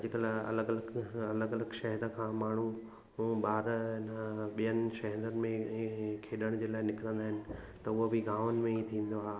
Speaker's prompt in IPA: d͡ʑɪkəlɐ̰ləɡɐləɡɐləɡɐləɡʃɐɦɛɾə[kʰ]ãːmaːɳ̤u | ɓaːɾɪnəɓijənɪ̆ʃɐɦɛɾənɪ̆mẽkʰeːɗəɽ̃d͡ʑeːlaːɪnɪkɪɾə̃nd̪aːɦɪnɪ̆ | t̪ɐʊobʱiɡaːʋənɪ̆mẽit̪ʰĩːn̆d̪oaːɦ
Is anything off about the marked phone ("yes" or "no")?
no